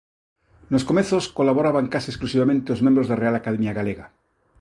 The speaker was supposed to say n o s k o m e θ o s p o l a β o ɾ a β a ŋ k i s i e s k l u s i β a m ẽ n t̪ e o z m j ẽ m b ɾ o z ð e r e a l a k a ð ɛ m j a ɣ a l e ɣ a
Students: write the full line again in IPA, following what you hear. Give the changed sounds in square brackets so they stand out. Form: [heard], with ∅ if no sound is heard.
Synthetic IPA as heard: n o s k o m e θ o s [k] o l a β o ɾ a β a ŋ k [a] s i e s k l u s i β a m ẽ n t̪ e o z m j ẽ m b ɾ o z ð e r e a l a k a ð [e] m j a ɣ a l e ɣ a